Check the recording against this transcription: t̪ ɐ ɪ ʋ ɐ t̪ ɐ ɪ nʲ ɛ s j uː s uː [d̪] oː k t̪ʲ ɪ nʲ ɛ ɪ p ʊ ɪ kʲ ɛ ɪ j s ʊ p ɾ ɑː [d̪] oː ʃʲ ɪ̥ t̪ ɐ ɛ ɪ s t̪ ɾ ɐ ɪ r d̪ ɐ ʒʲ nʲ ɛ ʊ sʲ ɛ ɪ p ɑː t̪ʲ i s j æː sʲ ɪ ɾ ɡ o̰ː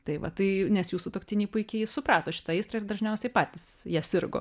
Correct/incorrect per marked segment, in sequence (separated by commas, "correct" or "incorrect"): incorrect, incorrect